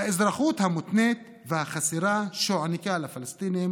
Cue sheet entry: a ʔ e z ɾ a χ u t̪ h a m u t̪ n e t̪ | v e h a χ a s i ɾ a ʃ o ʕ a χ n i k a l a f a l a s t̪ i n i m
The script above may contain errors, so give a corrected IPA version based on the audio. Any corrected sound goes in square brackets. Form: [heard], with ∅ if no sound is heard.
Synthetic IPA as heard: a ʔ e z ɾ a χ u t̪ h a m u t̪ n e t̪ | v e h a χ a s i ɾ a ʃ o ʕ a [∅] n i k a l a f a l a s t̪ i n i m